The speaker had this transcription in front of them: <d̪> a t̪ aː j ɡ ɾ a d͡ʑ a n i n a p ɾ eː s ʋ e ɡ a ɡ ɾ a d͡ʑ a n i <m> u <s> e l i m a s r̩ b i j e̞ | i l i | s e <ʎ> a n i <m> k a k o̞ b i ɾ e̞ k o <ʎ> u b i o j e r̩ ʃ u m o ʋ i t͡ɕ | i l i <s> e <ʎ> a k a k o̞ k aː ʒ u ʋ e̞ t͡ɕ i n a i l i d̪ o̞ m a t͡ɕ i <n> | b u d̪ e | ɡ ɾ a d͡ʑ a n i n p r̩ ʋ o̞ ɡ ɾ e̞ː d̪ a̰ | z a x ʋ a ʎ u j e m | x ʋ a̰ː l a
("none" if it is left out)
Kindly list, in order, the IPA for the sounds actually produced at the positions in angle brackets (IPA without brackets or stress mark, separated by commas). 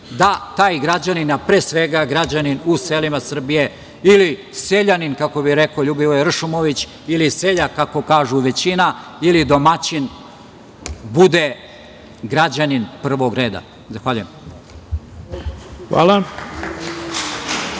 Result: d̪, n, s, ʎ, n, ʎ, s, ʎ, n